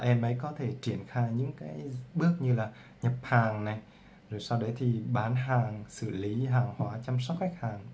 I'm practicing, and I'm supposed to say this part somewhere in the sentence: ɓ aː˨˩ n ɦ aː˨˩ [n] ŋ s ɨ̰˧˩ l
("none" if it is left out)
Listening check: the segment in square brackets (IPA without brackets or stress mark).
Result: none